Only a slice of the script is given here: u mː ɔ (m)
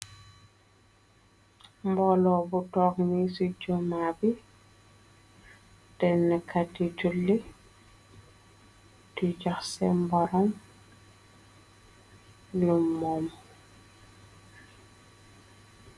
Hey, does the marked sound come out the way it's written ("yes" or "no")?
yes